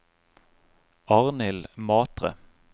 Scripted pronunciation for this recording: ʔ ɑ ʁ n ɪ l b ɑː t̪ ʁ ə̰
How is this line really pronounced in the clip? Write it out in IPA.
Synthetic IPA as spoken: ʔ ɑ ʁ n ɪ l m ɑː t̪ ʁ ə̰